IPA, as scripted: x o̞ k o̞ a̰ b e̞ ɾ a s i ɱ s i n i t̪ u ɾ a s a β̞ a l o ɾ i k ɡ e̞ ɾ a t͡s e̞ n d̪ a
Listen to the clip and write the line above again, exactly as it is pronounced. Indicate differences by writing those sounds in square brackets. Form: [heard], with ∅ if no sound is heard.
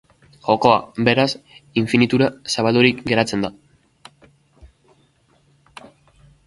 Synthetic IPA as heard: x o̞ k o̞ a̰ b e̞ ɾ a s i ɱ [f] i n i t̪ u ɾ a s a β̞ a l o ɾ i k ɡ e̞ ɾ a t͡s e̞ n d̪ a